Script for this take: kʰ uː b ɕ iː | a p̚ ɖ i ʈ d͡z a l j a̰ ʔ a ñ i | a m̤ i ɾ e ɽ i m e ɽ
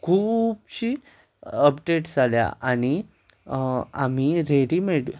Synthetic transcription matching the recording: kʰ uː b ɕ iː | ə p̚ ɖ e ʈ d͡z a l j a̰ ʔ a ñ i | a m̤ i ɾ e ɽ i m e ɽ